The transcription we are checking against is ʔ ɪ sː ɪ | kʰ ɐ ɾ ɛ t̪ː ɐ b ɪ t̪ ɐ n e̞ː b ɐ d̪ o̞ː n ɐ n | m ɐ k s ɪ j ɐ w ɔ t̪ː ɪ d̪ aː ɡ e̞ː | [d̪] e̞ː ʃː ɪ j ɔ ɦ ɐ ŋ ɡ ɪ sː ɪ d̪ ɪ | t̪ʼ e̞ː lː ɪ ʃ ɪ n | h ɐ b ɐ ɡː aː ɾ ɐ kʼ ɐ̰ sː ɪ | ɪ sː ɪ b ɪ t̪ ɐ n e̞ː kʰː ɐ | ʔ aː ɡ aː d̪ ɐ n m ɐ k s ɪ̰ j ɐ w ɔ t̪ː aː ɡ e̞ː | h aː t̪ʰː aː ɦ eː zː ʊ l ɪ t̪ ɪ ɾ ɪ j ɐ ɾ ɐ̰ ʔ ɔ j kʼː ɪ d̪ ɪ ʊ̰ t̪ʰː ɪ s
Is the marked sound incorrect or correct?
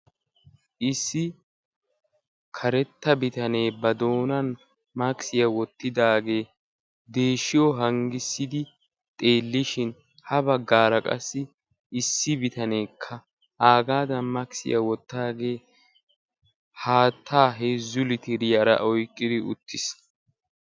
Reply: correct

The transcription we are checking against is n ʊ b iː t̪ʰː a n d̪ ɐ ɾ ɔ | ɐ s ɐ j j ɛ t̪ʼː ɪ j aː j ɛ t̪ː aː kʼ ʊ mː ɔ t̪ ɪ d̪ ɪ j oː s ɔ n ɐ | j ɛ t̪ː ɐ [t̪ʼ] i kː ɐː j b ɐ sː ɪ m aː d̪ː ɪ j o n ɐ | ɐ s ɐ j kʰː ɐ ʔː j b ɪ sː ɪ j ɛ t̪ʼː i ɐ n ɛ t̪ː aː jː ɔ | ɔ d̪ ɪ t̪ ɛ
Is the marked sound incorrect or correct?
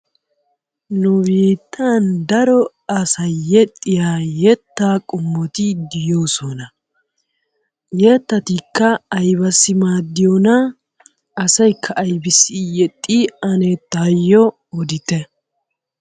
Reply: incorrect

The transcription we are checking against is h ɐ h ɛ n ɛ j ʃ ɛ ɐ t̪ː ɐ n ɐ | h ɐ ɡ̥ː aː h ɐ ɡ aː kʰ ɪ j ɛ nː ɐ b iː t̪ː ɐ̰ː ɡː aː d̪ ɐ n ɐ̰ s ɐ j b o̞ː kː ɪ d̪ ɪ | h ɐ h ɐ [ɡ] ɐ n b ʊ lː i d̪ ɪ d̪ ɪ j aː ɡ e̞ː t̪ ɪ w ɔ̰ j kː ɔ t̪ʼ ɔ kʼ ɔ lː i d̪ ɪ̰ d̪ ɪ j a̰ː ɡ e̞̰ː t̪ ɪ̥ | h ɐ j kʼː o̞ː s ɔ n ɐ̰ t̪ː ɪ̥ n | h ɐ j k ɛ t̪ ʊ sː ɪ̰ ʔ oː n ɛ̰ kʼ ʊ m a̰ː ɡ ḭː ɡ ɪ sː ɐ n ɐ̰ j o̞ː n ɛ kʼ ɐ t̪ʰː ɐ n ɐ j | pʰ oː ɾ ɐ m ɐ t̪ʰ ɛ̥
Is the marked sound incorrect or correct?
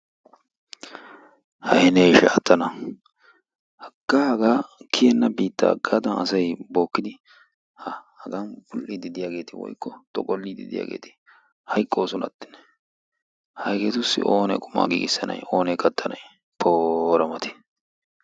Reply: correct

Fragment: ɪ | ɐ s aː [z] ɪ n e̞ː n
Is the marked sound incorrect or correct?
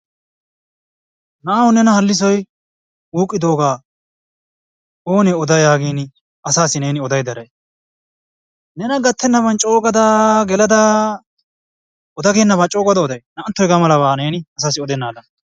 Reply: incorrect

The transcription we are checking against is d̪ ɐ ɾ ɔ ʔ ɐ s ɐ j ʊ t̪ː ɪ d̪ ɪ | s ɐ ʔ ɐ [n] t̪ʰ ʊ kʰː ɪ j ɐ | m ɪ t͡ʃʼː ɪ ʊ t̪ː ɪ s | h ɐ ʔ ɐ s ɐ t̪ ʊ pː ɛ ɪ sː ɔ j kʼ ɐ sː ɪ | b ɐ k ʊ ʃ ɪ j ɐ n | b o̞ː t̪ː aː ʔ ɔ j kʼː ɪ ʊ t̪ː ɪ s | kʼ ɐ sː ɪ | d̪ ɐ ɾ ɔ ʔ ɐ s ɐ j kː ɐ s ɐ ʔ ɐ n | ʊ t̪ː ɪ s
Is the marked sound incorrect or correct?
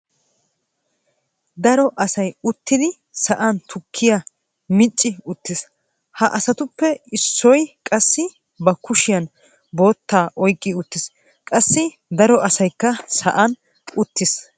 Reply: correct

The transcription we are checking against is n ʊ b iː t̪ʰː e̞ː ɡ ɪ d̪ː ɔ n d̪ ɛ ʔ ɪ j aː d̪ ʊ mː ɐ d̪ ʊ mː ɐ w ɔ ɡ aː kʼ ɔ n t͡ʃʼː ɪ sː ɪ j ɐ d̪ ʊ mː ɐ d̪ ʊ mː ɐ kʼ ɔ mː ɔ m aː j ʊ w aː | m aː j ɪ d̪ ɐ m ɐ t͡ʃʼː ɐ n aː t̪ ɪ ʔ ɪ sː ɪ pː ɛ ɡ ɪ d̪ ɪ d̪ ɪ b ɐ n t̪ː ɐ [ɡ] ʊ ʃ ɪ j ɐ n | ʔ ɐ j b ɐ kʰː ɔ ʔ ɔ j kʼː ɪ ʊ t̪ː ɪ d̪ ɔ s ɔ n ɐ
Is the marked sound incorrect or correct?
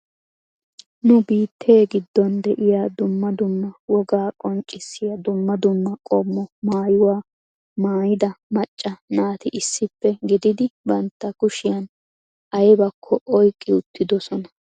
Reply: incorrect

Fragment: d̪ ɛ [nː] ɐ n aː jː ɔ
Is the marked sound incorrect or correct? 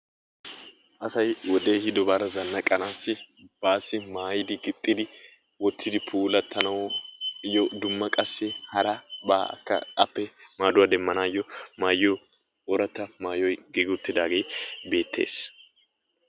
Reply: incorrect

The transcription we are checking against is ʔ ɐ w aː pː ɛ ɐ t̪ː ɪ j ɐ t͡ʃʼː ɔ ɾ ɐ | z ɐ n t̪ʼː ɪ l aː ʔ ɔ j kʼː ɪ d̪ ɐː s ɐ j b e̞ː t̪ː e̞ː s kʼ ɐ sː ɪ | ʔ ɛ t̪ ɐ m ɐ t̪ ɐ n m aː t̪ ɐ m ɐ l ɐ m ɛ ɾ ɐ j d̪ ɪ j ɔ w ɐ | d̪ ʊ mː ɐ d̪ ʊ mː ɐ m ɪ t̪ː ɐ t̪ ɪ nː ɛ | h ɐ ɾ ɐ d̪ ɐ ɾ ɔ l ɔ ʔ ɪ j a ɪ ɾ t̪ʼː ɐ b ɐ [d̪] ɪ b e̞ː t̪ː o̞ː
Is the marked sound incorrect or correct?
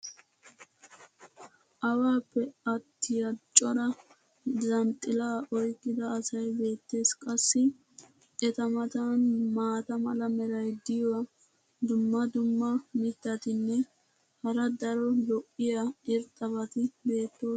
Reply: incorrect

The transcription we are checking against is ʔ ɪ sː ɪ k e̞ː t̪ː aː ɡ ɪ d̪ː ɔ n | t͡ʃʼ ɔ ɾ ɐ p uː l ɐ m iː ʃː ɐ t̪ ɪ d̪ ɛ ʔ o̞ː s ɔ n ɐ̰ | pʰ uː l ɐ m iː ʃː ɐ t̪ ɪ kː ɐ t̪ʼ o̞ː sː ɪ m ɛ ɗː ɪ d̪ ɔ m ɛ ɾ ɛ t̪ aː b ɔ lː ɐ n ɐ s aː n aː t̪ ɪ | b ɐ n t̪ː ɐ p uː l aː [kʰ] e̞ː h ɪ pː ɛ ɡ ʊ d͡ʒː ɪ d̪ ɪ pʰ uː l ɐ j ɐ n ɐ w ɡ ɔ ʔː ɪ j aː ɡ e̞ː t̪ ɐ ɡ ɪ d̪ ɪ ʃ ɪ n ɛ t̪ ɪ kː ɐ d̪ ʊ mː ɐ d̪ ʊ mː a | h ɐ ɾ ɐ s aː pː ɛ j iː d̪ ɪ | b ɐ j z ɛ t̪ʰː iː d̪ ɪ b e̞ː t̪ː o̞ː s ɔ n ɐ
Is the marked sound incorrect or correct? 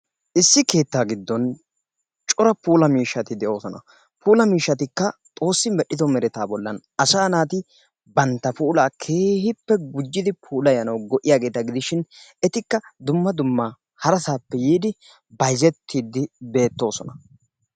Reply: correct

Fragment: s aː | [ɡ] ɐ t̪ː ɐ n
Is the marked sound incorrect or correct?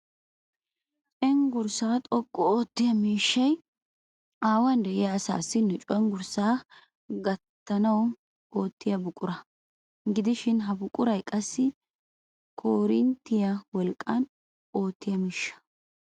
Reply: correct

